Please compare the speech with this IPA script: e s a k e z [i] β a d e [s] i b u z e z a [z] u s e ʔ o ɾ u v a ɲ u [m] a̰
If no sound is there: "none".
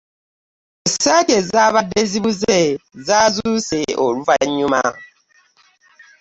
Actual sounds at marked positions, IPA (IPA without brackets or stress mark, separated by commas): a, z, z, m